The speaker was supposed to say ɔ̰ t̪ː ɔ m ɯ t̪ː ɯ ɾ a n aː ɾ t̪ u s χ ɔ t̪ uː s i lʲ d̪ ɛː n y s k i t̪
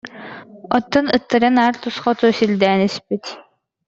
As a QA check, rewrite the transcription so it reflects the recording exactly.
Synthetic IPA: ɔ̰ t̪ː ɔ n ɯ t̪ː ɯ ɾ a n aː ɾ t̪ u s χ ɔ t̪ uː s i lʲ d̪ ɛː n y s p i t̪